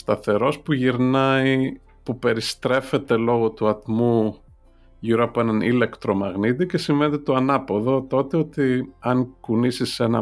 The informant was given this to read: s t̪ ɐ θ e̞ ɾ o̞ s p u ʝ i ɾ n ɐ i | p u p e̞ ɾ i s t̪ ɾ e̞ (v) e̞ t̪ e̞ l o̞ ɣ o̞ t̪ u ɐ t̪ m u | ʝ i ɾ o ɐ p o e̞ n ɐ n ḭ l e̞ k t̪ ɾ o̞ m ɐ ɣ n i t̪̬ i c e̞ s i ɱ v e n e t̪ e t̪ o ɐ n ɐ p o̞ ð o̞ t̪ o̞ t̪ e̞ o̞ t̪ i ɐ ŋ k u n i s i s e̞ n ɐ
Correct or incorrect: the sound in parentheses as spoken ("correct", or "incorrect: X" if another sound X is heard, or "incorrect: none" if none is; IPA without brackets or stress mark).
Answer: incorrect: f